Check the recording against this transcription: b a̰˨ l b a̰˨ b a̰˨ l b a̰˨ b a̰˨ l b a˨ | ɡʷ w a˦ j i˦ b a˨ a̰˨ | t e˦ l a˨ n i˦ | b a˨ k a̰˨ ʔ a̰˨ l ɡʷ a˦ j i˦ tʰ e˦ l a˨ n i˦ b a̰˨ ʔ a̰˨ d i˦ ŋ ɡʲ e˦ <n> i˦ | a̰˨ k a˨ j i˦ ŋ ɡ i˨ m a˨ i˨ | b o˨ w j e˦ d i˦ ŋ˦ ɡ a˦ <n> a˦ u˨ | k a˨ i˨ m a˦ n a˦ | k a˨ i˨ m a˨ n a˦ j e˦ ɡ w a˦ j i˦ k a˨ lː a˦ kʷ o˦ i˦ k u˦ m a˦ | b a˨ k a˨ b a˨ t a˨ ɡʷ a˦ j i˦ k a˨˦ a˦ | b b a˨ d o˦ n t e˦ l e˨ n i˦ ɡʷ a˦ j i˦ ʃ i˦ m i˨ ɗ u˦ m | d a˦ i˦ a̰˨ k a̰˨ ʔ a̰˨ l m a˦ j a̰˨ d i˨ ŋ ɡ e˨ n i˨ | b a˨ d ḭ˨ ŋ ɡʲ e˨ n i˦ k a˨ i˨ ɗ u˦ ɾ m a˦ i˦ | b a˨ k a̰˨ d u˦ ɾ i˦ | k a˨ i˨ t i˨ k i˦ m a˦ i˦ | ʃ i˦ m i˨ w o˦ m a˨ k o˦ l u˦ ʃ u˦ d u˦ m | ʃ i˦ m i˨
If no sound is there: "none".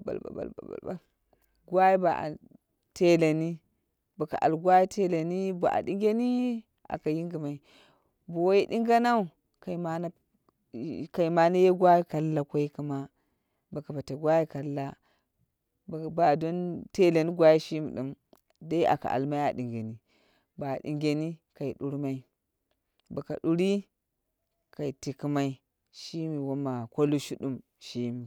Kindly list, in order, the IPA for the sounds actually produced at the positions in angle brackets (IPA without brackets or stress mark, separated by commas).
n, n